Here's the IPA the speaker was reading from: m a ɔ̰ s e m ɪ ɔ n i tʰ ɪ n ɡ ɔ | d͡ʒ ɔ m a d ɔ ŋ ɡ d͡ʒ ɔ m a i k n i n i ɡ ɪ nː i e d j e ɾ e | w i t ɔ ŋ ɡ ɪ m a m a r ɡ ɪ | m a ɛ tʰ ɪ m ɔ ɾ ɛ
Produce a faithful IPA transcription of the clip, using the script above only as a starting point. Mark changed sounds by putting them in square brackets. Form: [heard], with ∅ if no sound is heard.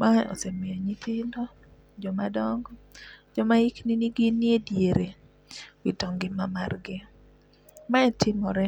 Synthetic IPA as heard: m a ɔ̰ s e m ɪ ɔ [ɲ] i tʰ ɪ n [d] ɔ | d͡ʒ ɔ m a d ɔ ŋ ɡ d͡ʒ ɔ m a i k n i n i ɡ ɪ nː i e d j e ɾ e | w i t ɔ ŋ ɡ ɪ m a m a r ɡ ɪ | m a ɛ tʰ ɪ m ɔ ɾ ɛ

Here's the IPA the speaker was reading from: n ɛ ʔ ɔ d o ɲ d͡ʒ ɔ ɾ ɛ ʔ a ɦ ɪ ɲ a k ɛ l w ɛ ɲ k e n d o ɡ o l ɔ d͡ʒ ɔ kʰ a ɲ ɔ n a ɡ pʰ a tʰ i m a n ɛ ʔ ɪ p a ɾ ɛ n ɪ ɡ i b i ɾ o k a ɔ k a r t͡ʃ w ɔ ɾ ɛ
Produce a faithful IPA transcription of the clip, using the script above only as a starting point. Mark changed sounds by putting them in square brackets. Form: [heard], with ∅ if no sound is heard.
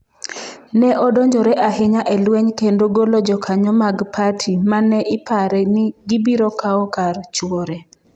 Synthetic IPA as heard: n ɛ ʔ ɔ d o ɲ d͡ʒ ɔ ɾ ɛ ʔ a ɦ ɪ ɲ a [ʔ] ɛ l w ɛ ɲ k e n d o ɡ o l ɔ d͡ʒ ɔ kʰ a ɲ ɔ [m] a ɡ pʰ a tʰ i m a n ɛ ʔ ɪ p a ɾ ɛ n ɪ ɡ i b i ɾ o k a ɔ k a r t͡ʃ w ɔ ɾ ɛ

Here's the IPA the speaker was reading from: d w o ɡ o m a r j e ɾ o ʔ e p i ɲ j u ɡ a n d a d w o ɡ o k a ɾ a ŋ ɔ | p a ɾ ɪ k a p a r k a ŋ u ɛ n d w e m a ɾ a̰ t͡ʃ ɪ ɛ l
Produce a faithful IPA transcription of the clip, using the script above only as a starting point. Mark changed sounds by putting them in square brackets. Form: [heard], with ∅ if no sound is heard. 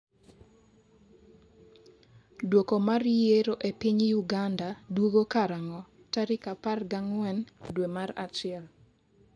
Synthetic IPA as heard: d w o [k] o m a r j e ɾ o ʔ e p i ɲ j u ɡ a n d a d w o ɡ o k a ɾ a ŋ ɔ | [t] a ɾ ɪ k a p a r [ɡ] a ŋ [w] ɛ n d w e m a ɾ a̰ t͡ʃ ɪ ɛ l

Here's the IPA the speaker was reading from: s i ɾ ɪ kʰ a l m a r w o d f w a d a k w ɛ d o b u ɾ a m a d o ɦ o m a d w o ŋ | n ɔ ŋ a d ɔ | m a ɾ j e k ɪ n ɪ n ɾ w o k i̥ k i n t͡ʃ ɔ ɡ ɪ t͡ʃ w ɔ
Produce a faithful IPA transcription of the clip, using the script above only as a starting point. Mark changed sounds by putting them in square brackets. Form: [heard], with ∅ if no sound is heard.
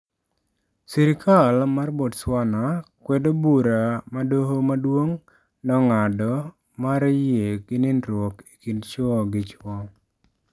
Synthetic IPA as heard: s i ɾ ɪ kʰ a l m a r [b] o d [s] w a [n] a k w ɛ d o b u ɾ a m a d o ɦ o m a d w o ŋ | n ɔ ŋ a d ɔ | m a ɾ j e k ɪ n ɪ n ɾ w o k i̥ k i n t͡ʃ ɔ ɡ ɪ t͡ʃ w ɔ

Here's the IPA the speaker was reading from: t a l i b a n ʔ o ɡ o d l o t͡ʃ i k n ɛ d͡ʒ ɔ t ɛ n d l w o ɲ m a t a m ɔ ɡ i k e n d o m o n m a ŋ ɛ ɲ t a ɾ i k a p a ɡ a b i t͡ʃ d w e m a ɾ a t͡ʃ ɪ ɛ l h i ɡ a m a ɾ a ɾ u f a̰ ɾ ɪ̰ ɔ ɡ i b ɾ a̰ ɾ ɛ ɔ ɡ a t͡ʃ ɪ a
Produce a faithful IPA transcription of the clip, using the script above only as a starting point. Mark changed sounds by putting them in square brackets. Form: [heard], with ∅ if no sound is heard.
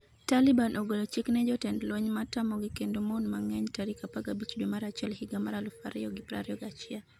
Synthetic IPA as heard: t a l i b a n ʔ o ɡ o [∅] l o t͡ʃ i k n ɛ d͡ʒ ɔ t ɛ n d l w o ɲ m a t a m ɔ ɡ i k e n d o m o n m a ŋ ɛ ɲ t a ɾ i k a p a ɡ a b i t͡ʃ d w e m a ɾ a t͡ʃ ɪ ɛ l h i ɡ a m a ɾ a [l] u f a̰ ɾ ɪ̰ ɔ ɡ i [p] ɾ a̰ ɾ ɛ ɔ ɡ a t͡ʃ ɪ a

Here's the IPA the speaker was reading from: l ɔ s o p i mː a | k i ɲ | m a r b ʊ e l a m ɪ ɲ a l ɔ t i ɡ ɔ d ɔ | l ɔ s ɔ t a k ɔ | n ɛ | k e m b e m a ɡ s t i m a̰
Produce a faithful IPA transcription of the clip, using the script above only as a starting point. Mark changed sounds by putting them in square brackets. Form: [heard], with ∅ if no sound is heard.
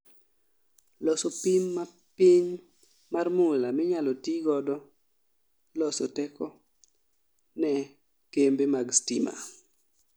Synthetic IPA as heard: l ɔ s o p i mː a | [p] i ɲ | m a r [m] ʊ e l a m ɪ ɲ a l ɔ t i ɡ ɔ d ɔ | l ɔ s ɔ t [ɛ] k ɔ | n ɛ | k e m b e m a ɡ s t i m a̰

